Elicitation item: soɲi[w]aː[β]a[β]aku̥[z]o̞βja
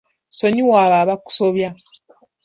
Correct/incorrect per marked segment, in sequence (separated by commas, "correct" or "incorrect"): correct, correct, correct, incorrect